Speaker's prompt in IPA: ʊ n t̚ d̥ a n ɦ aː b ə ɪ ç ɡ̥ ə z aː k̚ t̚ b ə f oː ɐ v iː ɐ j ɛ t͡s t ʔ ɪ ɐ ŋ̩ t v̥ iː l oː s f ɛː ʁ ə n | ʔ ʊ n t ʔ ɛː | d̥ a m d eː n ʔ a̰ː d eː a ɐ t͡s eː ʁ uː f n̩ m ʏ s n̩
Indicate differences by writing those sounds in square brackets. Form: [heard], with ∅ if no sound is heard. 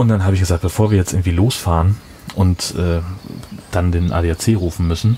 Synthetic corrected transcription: ʊ n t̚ d̥ a n ɦ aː b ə ɪ ç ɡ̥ ə z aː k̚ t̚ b ə f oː ɐ v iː ɐ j ɛ t͡s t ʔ ɪ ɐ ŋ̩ t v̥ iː l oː s f [aː] ʁ ə n | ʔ ʊ n t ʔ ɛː | d̥ a [n] d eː n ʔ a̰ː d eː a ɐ t͡s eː ʁ uː f n̩ m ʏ s n̩